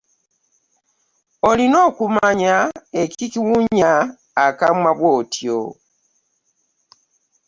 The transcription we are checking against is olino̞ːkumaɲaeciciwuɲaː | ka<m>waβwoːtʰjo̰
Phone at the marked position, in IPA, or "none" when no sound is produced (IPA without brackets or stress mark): m